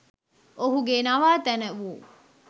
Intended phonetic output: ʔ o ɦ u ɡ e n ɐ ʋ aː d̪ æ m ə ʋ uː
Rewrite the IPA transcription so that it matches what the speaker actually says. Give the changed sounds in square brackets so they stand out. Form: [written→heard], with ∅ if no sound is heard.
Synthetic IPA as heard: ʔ o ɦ u ɡ e n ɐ ʋ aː [d̪→t̪] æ [m→n] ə ʋ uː